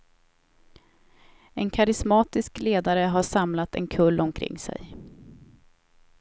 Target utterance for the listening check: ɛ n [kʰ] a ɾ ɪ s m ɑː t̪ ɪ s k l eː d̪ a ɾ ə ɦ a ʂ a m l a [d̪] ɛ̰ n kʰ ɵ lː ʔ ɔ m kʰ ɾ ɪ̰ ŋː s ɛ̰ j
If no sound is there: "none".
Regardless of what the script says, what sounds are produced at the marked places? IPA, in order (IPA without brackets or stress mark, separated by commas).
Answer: kʰ, t̪